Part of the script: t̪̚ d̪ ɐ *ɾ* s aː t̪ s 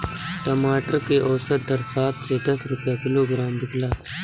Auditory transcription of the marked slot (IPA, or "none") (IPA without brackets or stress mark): ɾ